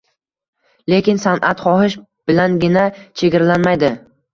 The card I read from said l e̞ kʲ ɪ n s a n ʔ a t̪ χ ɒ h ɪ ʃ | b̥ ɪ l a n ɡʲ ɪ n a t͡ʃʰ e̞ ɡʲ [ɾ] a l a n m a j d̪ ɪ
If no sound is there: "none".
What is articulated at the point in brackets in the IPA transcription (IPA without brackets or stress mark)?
ɾ